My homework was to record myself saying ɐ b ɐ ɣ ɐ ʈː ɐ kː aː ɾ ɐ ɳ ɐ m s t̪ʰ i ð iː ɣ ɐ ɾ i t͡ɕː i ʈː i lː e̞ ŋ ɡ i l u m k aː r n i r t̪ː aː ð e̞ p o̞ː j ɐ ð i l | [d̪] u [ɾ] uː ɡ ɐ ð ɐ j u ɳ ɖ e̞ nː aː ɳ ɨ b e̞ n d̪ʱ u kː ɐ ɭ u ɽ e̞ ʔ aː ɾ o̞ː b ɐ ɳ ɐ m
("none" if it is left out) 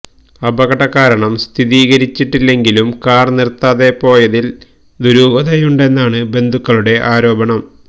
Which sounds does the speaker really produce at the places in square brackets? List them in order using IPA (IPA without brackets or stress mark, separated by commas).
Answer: d̪, ɾ